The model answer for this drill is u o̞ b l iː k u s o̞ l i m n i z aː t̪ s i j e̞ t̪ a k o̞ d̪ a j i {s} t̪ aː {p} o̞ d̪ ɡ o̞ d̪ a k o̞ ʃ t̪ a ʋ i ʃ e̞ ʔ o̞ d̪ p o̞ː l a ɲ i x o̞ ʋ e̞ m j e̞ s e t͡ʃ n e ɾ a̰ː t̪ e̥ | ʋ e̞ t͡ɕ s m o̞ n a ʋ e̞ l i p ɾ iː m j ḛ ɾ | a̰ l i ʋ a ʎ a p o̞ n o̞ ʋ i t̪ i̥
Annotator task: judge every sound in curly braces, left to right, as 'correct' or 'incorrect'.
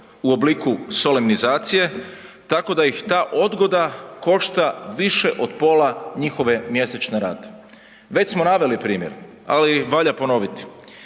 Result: incorrect: x, incorrect: ʔ

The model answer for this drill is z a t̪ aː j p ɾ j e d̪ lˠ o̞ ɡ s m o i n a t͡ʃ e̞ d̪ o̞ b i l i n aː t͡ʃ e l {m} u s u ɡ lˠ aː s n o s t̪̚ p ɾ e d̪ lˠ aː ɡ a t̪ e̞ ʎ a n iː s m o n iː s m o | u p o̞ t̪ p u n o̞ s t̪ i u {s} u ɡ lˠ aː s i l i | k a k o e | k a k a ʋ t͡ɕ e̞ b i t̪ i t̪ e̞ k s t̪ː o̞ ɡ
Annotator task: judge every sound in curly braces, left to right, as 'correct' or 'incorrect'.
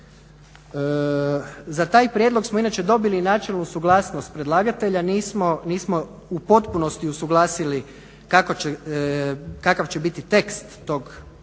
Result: incorrect: n, correct

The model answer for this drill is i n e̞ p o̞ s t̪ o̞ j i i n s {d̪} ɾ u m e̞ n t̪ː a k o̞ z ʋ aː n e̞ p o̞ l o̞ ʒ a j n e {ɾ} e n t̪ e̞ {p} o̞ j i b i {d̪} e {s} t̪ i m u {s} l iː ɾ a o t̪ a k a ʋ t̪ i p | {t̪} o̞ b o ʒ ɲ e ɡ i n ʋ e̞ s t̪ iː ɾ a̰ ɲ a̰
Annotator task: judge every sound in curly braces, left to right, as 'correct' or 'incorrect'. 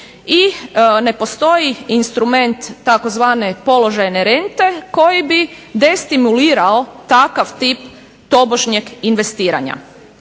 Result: incorrect: t̪, correct, incorrect: k, correct, correct, incorrect: none, correct

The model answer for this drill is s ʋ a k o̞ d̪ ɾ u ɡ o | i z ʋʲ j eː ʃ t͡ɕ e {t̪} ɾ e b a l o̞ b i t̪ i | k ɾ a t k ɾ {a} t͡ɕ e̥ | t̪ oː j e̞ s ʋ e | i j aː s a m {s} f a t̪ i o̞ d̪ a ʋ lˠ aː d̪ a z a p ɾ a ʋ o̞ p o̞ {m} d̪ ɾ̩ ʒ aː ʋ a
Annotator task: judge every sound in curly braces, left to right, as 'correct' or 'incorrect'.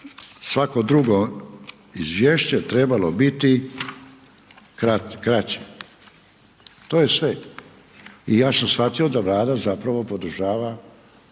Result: correct, correct, correct, incorrect: none

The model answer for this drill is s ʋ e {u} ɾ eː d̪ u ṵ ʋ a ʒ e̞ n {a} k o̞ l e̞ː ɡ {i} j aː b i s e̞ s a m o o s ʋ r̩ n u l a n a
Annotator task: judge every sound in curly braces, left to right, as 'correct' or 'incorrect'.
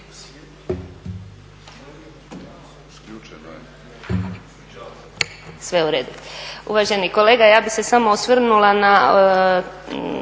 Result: correct, incorrect: i, incorrect: a

